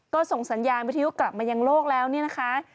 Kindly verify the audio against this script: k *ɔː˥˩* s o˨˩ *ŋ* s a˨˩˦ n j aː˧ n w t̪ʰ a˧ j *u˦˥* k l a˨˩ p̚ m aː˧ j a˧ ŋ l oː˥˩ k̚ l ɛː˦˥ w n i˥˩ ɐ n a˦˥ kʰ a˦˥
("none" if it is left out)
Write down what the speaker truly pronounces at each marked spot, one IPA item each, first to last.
ɔː˥˩, ŋ, u˦˥

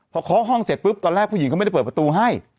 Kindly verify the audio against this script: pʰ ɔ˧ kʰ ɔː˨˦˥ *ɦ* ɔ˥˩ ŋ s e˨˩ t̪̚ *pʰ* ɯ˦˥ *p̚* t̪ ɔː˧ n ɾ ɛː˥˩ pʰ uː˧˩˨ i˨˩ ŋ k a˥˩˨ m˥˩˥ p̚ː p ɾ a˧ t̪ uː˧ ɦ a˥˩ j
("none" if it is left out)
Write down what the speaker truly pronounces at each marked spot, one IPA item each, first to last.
ɦ, p, p̚

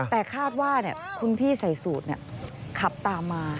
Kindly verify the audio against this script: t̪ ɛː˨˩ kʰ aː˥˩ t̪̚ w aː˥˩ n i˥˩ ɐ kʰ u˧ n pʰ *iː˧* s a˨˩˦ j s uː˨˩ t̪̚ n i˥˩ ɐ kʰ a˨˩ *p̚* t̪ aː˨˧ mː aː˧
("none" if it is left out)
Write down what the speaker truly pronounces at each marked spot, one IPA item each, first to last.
iː˥˩, p̚

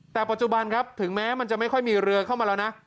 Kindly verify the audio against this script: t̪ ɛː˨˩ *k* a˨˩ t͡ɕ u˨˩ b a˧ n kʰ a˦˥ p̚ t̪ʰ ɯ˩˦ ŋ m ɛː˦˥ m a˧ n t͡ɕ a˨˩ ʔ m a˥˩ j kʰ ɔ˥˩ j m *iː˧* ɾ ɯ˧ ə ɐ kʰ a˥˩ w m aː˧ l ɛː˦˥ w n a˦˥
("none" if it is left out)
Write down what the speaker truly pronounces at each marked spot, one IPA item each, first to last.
p, iː˧

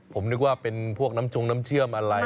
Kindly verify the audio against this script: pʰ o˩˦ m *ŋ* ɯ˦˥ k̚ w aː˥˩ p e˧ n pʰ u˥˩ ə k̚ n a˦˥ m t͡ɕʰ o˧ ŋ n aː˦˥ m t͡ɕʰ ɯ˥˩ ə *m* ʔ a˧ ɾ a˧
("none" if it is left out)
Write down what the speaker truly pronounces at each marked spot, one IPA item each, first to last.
n, m

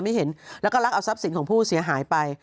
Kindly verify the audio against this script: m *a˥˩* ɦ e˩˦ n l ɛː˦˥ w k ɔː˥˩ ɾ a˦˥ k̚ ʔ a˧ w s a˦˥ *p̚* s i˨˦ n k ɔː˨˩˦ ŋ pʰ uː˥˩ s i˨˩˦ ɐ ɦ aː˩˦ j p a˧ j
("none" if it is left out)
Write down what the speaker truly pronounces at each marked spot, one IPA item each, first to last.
a˥˩, p̚

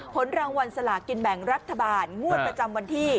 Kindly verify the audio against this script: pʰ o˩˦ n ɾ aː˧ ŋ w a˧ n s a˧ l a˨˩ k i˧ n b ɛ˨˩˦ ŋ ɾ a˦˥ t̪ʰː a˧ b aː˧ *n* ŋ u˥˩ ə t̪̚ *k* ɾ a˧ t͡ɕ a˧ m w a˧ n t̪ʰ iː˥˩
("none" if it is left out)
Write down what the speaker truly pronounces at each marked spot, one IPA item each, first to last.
n, p

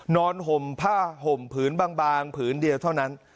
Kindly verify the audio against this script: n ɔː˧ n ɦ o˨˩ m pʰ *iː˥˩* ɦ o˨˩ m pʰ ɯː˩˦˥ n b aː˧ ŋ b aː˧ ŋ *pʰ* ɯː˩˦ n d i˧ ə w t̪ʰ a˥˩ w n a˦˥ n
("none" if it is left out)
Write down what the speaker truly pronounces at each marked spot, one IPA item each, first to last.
aː˥˩, pʰ

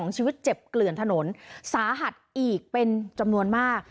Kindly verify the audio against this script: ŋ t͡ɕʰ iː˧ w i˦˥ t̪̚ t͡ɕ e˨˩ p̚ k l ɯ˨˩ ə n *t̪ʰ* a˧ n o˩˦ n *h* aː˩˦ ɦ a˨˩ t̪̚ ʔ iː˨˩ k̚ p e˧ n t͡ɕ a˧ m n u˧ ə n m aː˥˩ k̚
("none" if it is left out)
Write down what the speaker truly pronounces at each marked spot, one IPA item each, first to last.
t̪ʰ, s

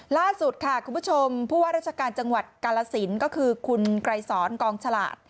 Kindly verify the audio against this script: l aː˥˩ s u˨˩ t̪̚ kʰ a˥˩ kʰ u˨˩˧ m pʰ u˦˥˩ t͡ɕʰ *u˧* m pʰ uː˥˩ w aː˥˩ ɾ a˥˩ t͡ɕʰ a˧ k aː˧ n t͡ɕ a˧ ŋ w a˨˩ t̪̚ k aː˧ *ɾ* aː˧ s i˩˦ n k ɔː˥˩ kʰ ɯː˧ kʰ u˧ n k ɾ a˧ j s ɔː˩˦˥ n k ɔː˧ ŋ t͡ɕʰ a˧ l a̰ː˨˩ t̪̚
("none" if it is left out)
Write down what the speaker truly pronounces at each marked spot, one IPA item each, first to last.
o˧, l

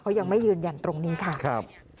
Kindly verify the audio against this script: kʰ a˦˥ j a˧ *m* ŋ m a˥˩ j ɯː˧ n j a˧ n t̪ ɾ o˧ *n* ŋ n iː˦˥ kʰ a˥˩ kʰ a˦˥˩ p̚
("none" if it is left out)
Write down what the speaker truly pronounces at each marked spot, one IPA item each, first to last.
none, none

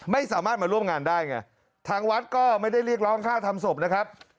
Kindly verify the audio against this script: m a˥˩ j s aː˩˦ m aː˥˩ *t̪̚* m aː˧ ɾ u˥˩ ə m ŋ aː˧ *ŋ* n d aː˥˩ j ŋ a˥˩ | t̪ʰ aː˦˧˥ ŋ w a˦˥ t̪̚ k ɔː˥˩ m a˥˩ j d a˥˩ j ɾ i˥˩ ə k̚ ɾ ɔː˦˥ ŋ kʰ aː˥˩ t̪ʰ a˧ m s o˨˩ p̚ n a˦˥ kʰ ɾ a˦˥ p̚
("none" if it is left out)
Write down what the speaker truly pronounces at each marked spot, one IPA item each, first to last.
t̪̚, none

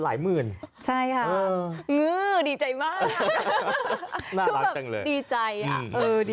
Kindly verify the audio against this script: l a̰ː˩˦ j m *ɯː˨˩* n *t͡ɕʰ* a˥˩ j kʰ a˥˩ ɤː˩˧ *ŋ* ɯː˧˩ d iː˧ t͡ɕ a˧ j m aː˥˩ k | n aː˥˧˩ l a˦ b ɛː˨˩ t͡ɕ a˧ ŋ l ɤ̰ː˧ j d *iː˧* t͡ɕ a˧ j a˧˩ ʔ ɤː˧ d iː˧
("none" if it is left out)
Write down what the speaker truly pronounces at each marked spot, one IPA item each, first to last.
ɯː˨˩, t͡ɕʰ, ŋ, iː˧

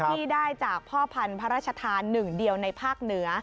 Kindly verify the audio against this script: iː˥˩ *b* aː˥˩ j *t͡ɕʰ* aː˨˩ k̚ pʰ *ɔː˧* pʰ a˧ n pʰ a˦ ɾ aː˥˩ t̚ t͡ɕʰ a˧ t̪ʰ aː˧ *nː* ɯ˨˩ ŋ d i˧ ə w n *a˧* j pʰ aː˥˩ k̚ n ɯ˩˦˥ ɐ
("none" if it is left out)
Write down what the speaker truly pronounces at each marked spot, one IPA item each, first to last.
d, t͡ɕ, ɔː˥˩, nː, a˧

